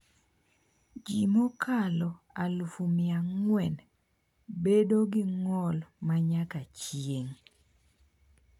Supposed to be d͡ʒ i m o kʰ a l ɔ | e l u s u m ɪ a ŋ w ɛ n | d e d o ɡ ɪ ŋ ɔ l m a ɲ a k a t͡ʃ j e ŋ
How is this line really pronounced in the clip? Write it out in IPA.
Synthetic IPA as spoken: d͡ʒ i m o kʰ a l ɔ | a l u f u m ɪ a ŋ w ɛ n | b e d o ɡ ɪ ŋ ɔ l m a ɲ a k a t͡ʃ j e ŋ